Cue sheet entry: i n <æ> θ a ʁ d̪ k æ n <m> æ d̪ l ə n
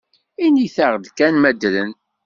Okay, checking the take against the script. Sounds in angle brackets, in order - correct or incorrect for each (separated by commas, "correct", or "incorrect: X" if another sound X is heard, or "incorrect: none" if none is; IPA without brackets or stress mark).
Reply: incorrect: i, correct